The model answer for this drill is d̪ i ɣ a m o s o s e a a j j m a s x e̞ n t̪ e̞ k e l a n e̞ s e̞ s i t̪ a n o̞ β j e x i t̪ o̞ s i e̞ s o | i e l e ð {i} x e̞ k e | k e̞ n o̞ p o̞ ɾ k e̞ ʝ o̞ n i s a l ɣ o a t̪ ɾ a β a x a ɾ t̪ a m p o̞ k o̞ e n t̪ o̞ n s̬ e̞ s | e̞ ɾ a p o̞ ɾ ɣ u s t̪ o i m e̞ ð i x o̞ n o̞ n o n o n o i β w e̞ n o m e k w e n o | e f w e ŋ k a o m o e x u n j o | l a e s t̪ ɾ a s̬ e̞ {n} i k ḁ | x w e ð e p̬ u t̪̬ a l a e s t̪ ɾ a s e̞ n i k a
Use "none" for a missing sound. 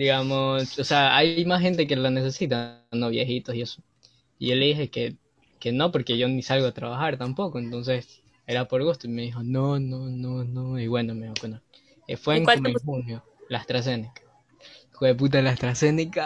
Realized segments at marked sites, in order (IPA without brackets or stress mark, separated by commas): i, n